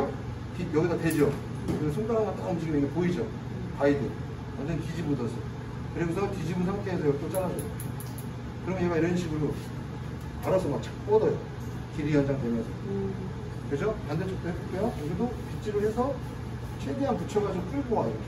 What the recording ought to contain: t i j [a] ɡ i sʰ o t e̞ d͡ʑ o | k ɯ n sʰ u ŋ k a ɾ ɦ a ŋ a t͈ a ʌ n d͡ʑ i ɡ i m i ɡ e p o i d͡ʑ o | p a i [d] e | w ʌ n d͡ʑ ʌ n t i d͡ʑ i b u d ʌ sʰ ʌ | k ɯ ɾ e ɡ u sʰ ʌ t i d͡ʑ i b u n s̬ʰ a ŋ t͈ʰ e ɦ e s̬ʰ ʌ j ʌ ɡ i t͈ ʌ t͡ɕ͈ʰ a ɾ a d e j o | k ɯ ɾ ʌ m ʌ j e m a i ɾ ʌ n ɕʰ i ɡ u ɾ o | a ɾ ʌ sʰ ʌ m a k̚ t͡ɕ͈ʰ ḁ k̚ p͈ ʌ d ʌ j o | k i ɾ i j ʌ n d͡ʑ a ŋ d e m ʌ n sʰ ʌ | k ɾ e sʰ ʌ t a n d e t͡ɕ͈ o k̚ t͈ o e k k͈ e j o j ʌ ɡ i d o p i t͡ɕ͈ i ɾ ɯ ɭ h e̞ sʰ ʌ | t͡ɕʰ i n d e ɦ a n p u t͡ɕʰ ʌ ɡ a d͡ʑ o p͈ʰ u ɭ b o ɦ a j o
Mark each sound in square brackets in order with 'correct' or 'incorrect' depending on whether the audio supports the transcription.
incorrect, correct

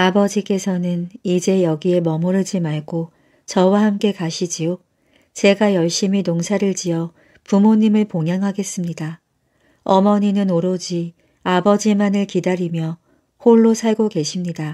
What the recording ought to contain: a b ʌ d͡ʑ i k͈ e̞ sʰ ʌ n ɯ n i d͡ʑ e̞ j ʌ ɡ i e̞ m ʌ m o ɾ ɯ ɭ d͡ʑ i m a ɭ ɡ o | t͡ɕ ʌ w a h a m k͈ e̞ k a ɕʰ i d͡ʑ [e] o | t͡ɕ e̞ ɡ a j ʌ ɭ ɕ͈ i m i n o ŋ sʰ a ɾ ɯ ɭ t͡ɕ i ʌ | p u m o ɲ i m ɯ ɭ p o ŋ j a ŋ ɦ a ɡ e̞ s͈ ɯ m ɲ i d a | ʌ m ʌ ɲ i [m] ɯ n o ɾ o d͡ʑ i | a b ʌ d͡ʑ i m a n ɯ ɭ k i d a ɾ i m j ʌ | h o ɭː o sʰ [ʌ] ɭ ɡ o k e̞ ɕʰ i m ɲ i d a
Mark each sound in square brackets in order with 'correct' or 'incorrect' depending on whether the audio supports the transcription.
incorrect, incorrect, incorrect

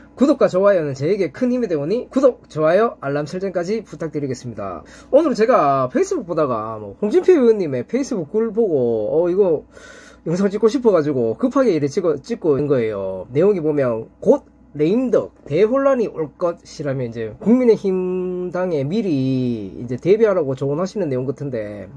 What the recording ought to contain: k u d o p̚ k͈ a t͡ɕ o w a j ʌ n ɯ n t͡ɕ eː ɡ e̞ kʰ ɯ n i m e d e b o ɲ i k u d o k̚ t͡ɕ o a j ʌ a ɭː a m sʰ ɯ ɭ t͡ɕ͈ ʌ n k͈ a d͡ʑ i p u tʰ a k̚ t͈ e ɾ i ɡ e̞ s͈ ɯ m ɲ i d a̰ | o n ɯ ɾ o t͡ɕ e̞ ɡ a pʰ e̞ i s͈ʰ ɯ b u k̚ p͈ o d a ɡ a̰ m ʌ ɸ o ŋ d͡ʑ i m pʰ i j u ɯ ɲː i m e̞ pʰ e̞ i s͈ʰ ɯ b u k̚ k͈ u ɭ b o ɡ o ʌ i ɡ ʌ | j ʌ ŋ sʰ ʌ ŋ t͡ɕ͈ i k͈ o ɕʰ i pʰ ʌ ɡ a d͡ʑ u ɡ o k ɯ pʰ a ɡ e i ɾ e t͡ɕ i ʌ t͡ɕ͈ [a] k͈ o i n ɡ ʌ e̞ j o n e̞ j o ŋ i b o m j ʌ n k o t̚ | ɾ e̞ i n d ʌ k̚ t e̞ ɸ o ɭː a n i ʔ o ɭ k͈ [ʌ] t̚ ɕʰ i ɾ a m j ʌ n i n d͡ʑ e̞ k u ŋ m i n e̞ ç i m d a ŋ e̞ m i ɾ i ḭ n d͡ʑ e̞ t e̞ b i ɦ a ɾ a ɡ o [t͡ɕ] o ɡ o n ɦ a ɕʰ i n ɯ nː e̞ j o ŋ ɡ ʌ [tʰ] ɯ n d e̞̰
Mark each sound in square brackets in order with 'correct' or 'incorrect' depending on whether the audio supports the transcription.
incorrect, correct, correct, correct

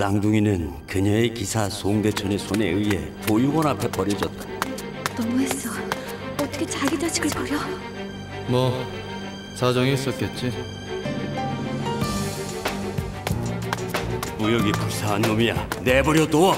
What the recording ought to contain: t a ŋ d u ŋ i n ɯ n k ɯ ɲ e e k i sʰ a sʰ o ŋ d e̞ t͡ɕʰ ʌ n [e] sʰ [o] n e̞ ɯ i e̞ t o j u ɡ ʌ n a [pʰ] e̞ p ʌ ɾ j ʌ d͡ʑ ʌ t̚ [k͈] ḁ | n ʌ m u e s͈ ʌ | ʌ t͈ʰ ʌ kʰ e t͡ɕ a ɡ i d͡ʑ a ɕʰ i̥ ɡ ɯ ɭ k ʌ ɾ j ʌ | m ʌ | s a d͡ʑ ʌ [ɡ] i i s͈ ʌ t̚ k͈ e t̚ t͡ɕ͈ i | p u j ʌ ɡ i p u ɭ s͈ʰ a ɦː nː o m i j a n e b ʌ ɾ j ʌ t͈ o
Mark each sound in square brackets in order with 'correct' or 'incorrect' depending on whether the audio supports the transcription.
correct, correct, correct, incorrect, incorrect

